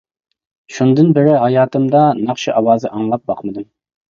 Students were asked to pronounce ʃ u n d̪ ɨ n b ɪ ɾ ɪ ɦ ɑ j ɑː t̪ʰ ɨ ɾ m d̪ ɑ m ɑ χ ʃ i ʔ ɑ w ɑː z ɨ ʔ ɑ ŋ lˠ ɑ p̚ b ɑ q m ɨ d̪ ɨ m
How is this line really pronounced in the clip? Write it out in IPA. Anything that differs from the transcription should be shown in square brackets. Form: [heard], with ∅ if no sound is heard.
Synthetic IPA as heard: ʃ u n d̪ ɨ n b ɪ ɾ ɪ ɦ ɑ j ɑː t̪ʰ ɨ [∅] m d̪ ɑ [n] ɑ χ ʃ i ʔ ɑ w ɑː z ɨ ʔ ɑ ŋ lˠ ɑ p̚ b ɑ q m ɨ d̪ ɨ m